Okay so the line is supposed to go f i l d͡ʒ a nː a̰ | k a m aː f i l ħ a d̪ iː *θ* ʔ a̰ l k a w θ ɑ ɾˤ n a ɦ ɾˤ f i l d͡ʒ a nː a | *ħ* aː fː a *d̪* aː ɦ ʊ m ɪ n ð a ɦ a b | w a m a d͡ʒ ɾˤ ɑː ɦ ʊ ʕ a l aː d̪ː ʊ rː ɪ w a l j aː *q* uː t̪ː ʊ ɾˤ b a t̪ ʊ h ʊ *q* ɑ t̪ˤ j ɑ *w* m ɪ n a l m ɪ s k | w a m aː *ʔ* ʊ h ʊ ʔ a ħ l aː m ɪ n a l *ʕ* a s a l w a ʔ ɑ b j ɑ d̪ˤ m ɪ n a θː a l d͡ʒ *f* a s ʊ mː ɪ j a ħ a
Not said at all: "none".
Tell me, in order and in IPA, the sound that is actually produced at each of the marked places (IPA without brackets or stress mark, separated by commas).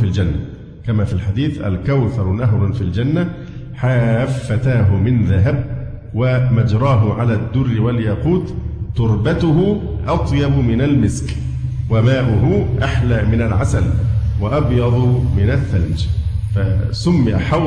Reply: θ, ħ, t̪, q, ʔ, b, ʔ, ʕ, f